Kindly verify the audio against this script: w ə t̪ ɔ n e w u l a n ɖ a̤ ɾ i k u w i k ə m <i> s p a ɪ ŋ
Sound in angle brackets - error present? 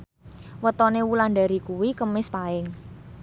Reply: yes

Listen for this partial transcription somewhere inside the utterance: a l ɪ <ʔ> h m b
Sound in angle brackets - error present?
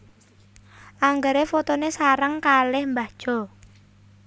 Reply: yes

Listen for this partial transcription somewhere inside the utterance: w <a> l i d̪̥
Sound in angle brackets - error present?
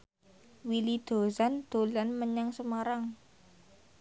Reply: yes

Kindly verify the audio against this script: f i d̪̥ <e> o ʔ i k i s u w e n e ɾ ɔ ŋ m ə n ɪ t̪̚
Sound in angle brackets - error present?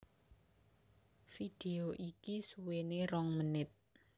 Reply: no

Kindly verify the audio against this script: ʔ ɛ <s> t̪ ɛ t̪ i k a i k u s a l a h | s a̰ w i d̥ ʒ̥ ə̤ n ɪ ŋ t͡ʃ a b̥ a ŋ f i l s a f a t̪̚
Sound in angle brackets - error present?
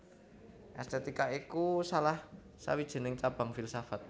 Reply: no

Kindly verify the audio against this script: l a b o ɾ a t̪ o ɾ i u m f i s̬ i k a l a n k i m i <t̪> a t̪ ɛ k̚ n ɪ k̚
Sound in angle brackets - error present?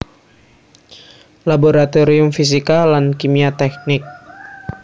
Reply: yes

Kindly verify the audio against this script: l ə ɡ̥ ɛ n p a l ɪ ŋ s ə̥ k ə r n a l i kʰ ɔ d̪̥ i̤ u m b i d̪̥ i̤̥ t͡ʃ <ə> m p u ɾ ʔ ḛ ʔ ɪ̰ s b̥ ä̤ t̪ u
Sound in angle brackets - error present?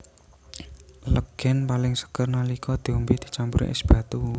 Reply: yes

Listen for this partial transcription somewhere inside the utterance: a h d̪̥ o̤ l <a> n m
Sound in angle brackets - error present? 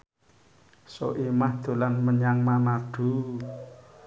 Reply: no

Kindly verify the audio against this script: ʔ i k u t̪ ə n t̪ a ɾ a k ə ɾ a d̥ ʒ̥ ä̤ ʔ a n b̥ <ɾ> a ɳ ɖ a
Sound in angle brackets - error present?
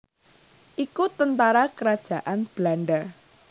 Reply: yes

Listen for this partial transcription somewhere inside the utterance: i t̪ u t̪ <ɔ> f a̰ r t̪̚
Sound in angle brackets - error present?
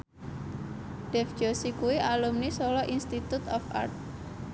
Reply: no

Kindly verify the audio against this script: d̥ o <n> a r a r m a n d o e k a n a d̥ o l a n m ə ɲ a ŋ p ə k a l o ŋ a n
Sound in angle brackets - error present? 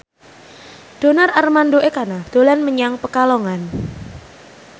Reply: no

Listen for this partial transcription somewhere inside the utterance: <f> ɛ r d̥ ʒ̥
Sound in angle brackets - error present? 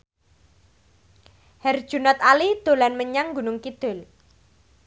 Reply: yes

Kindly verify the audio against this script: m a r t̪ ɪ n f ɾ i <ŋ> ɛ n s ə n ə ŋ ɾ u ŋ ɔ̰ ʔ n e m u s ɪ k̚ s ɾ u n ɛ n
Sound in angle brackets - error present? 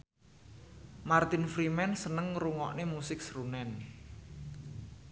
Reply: yes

